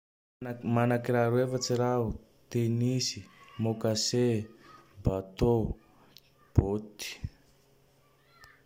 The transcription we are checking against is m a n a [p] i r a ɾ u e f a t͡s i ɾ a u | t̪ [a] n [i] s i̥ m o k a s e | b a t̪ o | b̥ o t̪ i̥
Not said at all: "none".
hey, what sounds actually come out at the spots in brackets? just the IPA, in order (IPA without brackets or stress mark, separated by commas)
k, e, i